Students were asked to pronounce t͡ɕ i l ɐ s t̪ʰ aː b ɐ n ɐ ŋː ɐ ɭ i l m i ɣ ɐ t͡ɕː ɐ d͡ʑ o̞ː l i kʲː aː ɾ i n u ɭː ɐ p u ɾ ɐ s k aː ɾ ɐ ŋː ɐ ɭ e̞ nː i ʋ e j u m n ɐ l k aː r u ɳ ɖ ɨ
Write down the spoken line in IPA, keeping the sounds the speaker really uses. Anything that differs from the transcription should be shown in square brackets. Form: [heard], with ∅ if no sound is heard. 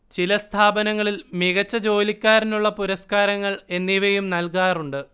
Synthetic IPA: t͡ɕ i l ɐ s t̪ʰ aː b ɐ n ɐ ŋː ɐ ɭ i l m i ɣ ɐ t͡ɕː ɐ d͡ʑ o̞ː l i kʲː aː ɾ i n u ɭː ɐ p u ɾ ɐ s k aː ɾ ɐ ŋː ɐ ɭ e̞ nː i ʋ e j u m n ɐ l k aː r u ɳ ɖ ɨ